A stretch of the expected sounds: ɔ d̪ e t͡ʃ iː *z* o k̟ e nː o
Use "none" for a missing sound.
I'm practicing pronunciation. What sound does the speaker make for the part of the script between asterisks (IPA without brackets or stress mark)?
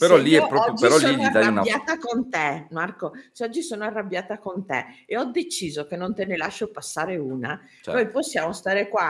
z